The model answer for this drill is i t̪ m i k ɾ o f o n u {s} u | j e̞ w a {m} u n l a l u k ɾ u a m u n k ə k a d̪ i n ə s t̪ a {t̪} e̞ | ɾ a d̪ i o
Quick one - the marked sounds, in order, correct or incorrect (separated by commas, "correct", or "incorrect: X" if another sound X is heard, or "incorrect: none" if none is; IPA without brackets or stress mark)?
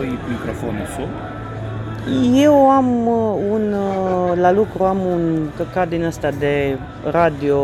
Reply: correct, correct, incorrect: d̪